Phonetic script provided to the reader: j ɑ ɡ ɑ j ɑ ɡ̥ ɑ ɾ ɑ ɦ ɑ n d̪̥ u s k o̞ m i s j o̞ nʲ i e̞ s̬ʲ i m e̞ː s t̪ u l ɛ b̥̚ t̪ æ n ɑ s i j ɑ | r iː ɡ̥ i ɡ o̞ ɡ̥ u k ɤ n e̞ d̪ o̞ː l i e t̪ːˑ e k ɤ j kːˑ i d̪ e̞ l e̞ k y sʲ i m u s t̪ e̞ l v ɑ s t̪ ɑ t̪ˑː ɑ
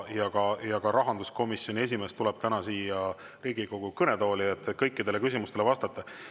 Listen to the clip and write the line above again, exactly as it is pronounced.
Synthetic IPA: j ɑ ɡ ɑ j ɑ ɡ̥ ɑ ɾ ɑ ɦ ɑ n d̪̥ u s k o̞ m i s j o̞ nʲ i e̞ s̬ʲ i m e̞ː s t̪ u l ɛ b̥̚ t̪ æ n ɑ s iː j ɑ | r iː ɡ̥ i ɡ o̞ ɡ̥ u k ɤ n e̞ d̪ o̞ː l i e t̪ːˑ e k ɤ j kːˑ i d̪ e̞ l e̞ k y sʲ i m u s t̪ e̞ l v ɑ s t̪ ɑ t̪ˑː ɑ